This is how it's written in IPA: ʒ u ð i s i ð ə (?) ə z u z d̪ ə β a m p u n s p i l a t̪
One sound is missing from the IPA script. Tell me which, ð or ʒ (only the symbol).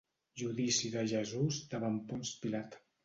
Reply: ʒ